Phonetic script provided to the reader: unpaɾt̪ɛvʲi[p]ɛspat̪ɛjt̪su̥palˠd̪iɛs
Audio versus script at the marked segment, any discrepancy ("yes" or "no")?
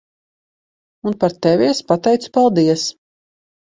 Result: yes